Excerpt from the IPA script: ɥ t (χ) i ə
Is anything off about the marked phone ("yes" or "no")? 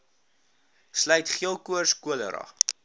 no